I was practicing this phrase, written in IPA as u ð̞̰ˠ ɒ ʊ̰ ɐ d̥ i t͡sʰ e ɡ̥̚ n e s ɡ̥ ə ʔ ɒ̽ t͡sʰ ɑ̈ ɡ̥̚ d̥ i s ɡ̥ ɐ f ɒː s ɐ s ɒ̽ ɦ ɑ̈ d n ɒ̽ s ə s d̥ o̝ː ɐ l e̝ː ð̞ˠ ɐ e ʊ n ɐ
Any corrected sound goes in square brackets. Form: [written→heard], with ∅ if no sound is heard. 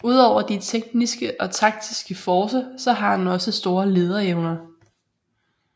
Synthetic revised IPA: u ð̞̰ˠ ɒ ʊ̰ ɐ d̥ i t͡sʰ e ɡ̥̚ n [e→i] s ɡ̥ ə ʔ ɒ̽ t͡sʰ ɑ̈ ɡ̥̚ d̥ i s ɡ̥ [ɐ→ə] f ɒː s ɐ s ɒ̽ ɦ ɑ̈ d n ɒ̽ s ə s d̥ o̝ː ɐ l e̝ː ð̞ˠ ɐ e ʊ n ɐ